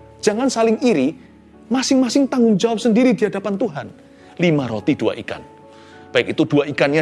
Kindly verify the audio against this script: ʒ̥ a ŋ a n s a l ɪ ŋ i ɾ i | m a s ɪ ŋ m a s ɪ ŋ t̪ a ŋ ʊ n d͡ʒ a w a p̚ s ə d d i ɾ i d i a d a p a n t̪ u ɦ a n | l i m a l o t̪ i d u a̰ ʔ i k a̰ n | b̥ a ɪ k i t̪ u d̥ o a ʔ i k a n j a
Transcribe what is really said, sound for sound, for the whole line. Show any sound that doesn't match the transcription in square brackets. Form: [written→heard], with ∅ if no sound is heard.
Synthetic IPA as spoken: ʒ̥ a ŋ a n s a l ɪ ŋ i ɾ i | m a s ɪ ŋ m a s ɪ ŋ t̪ a ŋ ʊ [n→ŋ] d͡ʒ a w a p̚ s ə [d→n] d i ɾ i d i a d a p a n t̪ u ɦ a n | l i m a [l→ɾ] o t̪ i d u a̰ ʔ i k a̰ n | b̥ a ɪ k i t̪ u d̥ [o→u] a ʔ i k a n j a